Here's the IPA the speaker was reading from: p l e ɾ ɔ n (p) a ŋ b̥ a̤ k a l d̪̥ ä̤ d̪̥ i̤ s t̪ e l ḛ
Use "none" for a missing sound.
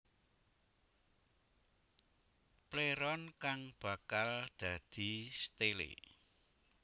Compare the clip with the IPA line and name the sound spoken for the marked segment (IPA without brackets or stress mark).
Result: k